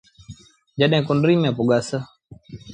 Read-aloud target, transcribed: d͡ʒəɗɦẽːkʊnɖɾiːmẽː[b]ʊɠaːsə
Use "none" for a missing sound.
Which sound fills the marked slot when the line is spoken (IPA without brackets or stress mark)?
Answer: p